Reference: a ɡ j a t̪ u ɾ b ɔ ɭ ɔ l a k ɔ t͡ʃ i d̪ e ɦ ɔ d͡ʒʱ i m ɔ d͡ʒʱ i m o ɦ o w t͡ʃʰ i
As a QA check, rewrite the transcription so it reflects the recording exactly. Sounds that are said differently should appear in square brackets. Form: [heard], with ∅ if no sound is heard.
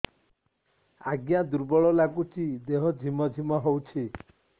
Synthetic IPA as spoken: a ɡ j a [d̪] u ɾ b ɔ ɭ ɔ l a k [u] t͡ʃ i d̪ e ɦ ɔ d͡ʒʱ i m ɔ d͡ʒʱ i m [ɔ] ɦ o w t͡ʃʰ i